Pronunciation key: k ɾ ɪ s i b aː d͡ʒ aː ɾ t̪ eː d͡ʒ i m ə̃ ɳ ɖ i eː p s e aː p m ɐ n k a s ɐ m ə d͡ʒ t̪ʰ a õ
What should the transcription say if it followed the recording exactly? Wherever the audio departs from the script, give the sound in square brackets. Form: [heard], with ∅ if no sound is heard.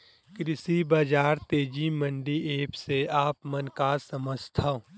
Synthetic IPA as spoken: k ɾ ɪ s i b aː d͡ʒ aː ɾ t̪ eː d͡ʒ i m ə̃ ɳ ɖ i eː p s e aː p m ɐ n k a s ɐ m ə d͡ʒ t̪ʰ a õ